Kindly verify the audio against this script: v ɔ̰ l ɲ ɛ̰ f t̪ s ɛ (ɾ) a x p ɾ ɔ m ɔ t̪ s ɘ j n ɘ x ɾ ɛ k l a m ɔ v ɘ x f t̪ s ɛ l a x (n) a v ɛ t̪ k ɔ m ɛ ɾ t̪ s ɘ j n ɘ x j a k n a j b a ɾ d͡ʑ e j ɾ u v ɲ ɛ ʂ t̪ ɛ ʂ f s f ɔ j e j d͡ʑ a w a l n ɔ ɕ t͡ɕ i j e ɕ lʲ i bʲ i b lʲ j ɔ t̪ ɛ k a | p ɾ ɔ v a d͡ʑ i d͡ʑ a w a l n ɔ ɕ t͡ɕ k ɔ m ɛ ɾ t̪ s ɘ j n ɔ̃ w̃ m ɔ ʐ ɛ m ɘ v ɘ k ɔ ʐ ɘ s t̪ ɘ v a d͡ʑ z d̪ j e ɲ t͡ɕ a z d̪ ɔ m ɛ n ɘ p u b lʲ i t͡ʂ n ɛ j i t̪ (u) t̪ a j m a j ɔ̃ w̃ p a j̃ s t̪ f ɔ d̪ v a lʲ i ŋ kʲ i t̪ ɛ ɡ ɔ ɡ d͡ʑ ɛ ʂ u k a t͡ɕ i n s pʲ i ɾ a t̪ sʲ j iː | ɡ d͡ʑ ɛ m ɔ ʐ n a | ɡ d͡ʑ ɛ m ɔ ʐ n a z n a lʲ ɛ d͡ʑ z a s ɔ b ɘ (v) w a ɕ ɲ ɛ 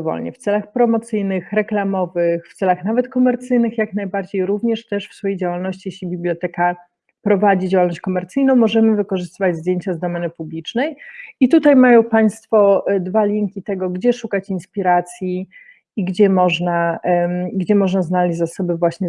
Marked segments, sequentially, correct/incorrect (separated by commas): incorrect, correct, correct, correct